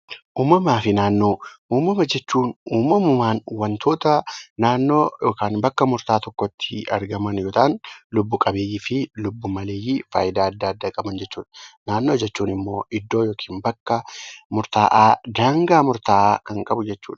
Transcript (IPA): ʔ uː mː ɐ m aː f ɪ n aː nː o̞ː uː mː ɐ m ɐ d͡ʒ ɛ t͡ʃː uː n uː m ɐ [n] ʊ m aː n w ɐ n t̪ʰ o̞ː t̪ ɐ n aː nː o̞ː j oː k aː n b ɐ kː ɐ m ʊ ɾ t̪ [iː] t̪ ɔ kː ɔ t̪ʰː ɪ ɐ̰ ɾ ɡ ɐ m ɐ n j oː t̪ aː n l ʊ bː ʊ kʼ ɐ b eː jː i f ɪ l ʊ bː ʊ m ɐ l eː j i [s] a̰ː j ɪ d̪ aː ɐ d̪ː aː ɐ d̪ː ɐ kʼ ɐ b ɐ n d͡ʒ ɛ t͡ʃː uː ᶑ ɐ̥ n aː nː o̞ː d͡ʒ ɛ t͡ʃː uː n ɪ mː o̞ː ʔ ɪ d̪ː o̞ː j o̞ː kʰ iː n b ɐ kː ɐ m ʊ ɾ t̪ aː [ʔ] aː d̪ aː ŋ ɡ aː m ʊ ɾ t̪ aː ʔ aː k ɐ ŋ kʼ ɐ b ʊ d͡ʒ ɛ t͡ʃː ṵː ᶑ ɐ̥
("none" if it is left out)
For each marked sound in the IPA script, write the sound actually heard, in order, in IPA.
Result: m, aː, f, ʔ

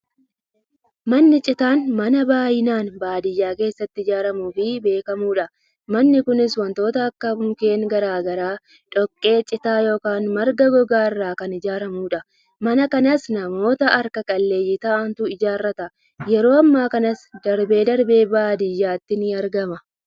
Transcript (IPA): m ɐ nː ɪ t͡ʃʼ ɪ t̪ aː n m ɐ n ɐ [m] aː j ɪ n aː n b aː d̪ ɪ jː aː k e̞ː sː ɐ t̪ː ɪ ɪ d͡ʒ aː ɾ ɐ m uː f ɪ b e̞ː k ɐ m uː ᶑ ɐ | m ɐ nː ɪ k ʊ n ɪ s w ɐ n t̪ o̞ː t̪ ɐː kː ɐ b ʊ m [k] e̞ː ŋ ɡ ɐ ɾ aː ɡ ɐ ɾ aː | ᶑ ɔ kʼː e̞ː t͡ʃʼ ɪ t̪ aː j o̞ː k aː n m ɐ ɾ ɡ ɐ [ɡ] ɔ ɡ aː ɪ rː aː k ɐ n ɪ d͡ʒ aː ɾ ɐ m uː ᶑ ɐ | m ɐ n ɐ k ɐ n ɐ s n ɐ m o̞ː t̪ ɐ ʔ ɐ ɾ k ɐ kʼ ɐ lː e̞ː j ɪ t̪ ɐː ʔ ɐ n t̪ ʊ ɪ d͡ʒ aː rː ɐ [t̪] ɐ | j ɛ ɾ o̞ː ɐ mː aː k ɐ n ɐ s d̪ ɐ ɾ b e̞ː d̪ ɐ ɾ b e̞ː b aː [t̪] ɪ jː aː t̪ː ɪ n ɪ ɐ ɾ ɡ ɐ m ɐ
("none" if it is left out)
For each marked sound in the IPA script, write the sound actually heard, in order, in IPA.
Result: b, k, ɡ, t̪, d̪

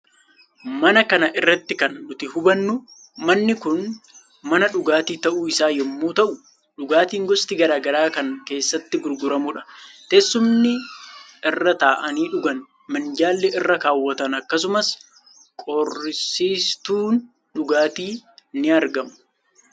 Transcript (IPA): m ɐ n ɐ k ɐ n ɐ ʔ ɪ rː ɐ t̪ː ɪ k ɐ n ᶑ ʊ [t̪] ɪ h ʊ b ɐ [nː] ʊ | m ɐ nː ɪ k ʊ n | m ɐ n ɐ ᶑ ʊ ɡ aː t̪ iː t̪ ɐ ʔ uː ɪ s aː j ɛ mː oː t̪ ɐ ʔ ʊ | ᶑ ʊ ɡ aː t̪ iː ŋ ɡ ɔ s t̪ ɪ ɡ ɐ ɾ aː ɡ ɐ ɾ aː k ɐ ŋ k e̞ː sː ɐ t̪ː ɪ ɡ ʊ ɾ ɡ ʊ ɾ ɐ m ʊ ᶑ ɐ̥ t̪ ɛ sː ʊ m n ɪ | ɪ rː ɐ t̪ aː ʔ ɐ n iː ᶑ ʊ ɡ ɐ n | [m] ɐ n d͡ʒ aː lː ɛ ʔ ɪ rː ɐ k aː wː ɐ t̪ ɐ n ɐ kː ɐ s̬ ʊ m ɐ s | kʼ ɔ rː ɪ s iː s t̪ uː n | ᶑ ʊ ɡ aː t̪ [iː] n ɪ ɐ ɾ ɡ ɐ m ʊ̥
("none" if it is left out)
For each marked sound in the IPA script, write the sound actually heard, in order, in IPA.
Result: t̪, nː, m, iː

